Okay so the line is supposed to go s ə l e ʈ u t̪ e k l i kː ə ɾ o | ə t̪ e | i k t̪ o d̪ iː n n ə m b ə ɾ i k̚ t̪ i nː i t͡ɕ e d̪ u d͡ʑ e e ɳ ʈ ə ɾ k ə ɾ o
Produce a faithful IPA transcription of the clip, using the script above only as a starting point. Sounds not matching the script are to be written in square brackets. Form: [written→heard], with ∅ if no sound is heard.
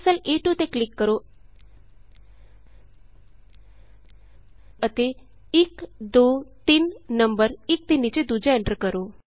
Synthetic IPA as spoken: s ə l e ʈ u t̪ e k l i kː ə ɾ o | ə t̪ e | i k [t̪→d̪] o [d̪→t̪] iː n n ə m b ə ɾ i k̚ t̪ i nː i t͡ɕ e d̪ u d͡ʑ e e ɳ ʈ ə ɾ k ə ɾ o